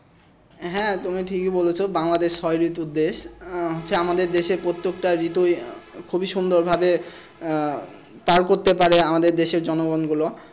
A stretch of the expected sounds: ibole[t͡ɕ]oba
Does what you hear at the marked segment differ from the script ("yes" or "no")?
yes